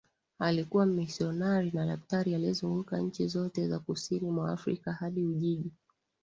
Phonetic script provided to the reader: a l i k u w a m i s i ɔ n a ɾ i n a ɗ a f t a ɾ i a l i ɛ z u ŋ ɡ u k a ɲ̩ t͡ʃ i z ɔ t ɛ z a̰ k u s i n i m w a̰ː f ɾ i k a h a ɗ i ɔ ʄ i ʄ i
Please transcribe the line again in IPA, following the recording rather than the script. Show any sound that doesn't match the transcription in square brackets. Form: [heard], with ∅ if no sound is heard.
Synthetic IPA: a l i k u w a m i s i ɔ n a ɾ i n a ɗ a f t a ɾ i a l i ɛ z u ŋ ɡ u k a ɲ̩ t͡ʃ i z ɔ t ɛ z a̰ k u s i n i m w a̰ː f ɾ i k a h a ɗ i [u] ʄ i ʄ i